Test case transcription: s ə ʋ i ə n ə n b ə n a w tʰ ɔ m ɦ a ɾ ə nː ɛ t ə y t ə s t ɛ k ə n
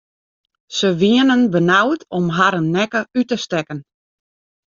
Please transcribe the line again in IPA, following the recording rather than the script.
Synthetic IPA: s ə ʋ i ə n ə n b ə n a w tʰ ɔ m ɦ a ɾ ə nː ɛ k ə y t ə s t ɛ k ə n